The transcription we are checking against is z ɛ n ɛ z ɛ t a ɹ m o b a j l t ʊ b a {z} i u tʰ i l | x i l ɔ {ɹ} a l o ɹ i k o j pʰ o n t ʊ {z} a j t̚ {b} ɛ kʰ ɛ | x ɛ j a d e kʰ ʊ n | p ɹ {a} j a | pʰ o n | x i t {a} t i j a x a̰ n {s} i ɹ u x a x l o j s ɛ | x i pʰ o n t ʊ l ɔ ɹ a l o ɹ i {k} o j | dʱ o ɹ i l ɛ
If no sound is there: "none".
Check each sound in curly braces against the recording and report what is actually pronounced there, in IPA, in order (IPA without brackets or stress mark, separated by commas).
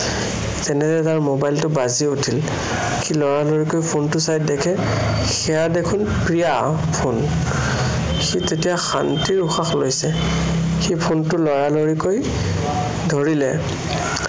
z, ɹ, s, d, i, e, t, k